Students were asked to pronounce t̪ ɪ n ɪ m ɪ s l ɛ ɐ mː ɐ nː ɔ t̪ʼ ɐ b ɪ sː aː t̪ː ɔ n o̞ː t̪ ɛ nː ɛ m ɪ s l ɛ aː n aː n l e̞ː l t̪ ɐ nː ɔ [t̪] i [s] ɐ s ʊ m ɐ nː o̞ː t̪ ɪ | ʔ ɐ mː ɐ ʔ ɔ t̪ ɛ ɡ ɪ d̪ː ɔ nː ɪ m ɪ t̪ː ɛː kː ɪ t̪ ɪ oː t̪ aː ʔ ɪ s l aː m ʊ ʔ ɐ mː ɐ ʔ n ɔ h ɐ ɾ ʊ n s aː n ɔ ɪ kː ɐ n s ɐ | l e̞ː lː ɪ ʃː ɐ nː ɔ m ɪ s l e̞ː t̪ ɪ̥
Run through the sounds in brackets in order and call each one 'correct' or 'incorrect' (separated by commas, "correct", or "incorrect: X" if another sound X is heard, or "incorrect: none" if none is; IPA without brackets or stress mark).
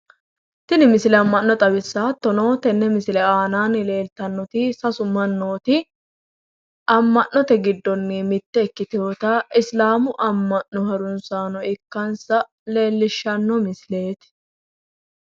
correct, correct